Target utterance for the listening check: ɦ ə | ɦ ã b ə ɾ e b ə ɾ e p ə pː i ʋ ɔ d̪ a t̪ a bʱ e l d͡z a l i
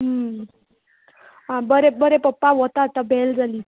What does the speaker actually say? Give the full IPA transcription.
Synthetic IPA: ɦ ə | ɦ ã b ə ɾ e b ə ɾ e p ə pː a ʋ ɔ t̪ a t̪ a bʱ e l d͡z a l i